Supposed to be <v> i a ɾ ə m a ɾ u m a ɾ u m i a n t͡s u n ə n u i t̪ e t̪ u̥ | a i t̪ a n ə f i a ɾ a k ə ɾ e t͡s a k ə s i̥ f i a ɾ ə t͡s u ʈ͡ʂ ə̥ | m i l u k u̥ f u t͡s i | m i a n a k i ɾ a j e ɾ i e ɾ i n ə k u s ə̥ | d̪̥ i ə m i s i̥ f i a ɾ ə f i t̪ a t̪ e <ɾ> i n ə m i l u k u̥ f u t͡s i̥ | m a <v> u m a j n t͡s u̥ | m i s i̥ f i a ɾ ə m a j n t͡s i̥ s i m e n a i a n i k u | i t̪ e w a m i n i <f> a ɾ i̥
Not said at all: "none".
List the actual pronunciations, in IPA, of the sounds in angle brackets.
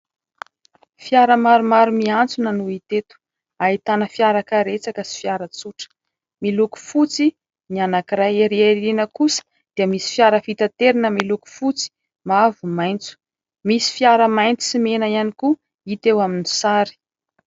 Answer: f, ɾ, v, s

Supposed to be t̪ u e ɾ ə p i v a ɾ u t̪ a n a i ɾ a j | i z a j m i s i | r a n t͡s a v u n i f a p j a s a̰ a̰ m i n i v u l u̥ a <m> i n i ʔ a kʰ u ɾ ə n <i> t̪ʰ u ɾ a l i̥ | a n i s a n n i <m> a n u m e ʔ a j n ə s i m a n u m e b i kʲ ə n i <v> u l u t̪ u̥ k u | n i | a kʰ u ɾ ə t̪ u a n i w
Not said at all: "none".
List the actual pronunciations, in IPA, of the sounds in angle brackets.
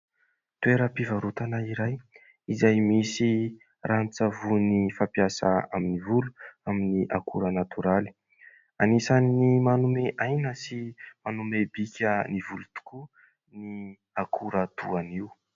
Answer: m, a, m, v

